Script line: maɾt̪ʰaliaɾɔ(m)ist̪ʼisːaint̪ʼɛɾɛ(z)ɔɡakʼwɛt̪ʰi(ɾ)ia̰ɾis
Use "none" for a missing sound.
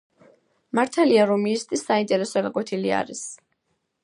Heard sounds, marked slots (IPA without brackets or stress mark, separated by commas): m, s, l